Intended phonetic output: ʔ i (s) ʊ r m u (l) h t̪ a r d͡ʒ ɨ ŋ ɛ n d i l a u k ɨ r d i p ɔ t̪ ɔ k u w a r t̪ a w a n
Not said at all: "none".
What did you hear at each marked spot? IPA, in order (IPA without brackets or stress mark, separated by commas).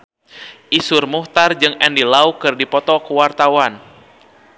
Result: s, none